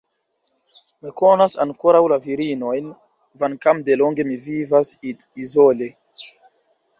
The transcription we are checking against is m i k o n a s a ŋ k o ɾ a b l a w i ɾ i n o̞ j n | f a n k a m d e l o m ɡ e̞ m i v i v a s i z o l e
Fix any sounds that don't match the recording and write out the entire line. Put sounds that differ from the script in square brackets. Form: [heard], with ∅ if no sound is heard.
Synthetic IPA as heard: m i k o n a s a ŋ k o ɾ a [w] l a [v] i ɾ i n o̞ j n | [v] a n k a m d e l o [ŋ] ɡ e̞ m i v i v a s i z o l e